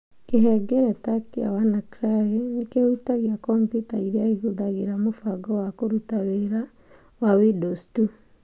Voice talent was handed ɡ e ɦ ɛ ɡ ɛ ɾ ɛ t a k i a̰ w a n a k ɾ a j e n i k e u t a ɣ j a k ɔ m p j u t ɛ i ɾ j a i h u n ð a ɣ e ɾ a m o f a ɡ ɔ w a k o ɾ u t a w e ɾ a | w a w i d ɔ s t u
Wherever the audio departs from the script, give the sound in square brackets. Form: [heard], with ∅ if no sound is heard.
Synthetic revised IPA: [k] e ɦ ɛ ɡ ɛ ɾ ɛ t a k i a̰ w a n a k ɾ a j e n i k e u t a ɣ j a k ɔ m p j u t [a] i ɾ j a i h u [∅] ð a ɣ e ɾ a m o f a ɡ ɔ w a k o ɾ u t a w e ɾ a | w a w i d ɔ s t u